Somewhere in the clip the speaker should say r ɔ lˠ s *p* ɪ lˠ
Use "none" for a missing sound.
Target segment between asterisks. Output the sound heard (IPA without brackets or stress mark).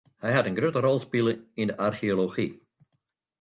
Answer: p